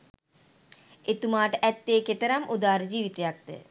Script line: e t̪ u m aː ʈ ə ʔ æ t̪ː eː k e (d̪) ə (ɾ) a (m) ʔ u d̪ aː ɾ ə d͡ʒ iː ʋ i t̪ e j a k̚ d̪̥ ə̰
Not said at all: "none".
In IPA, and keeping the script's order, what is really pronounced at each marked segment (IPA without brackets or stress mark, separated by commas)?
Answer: t̪, ɾ, m